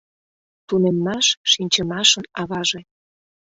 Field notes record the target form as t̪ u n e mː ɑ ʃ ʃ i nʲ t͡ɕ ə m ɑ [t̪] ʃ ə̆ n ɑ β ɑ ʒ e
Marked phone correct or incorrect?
incorrect